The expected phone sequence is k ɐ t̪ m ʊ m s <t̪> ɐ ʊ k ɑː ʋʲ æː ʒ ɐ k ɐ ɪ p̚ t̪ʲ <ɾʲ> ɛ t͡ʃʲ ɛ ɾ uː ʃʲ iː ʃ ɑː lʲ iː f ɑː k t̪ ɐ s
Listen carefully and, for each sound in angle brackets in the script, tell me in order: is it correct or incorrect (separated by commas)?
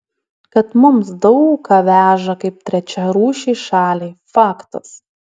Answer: incorrect, correct